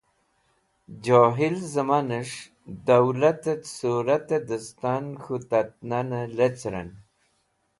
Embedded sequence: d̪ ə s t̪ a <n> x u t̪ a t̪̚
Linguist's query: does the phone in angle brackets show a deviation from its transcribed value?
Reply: no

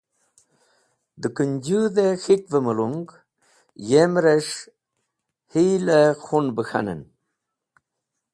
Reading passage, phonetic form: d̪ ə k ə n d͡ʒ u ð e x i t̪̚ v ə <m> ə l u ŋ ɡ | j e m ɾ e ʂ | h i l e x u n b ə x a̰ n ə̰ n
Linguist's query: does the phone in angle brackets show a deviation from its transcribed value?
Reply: no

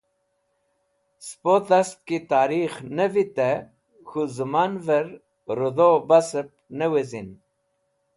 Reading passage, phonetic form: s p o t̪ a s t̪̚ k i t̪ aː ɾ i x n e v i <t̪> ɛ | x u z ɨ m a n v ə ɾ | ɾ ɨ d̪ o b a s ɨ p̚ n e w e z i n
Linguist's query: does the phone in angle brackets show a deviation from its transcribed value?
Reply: no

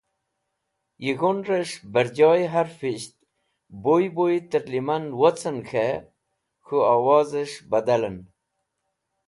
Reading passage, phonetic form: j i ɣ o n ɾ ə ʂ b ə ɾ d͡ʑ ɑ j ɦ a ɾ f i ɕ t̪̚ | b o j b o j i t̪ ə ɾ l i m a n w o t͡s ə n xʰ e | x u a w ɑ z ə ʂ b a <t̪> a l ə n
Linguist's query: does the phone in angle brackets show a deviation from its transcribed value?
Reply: yes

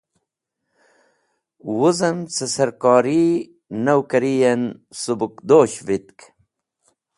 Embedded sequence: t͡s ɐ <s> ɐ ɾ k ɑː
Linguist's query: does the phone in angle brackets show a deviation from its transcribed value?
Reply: no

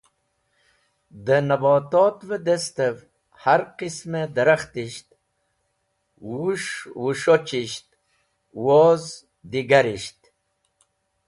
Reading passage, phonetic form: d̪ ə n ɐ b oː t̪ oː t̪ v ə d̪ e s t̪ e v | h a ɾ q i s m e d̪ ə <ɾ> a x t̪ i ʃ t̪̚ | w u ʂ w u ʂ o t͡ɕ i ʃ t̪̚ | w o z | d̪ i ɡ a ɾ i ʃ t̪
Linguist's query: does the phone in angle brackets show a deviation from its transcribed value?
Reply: no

